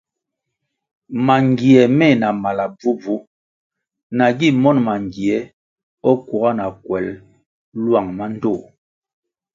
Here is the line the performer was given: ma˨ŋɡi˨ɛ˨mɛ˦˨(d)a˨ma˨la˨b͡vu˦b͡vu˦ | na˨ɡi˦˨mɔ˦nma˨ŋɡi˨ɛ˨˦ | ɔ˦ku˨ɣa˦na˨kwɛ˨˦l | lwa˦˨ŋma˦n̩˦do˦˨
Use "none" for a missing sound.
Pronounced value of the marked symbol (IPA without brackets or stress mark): n